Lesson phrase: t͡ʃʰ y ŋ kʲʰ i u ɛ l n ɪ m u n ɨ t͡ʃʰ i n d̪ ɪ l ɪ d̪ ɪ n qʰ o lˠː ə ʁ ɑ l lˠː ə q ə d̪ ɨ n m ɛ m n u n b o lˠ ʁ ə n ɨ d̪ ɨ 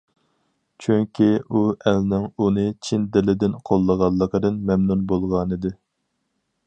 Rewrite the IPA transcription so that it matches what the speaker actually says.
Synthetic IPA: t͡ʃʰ y ŋ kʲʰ i u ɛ l n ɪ ŋ u n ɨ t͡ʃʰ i n d̪ ɪ l ɪ d̪ ɪ n qʰ o lˠː ə ʁ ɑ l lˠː ə q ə d̪ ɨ n m ɛ m n u n b o lˠ ʁ ɑ n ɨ d̪ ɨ